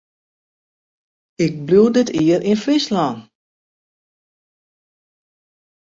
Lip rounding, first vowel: unrounded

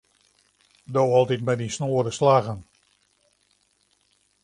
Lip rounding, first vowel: rounded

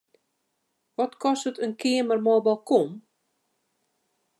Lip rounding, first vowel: rounded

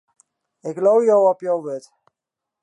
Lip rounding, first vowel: unrounded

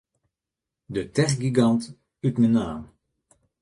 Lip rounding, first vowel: unrounded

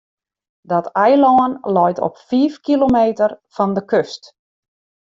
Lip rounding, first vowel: rounded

